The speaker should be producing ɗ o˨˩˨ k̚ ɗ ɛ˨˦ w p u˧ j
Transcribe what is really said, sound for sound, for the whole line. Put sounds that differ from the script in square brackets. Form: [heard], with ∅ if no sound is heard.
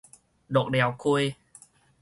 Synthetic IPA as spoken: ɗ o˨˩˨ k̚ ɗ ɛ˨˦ w [k] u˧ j